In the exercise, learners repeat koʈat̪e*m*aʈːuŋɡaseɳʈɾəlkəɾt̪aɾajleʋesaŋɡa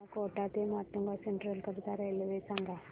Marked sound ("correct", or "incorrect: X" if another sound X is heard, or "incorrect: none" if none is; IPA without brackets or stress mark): correct